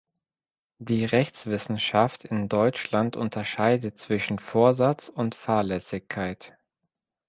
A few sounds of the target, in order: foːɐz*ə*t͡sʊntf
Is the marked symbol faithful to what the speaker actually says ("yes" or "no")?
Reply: no